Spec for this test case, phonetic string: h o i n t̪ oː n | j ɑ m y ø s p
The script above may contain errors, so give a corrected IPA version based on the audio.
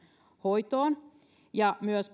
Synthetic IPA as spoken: h o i t̪ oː n | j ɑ m y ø s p